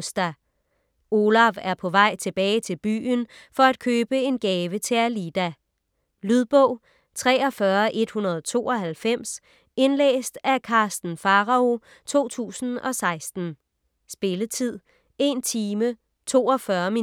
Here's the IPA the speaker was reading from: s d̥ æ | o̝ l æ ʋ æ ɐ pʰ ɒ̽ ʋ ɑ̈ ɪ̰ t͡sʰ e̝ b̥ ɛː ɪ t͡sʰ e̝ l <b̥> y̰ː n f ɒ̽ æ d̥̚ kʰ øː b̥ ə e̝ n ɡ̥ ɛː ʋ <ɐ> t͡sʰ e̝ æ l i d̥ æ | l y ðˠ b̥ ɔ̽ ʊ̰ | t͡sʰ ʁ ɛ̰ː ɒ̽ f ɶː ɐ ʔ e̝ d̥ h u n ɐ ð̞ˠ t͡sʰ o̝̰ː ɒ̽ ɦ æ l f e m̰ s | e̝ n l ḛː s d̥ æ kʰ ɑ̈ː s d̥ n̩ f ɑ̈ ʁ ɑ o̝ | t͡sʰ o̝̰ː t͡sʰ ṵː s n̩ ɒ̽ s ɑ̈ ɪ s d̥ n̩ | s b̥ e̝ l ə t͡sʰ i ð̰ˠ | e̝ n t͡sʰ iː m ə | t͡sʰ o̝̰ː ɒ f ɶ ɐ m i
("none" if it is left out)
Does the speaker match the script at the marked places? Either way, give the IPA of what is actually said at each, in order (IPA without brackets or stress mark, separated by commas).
b̥, ə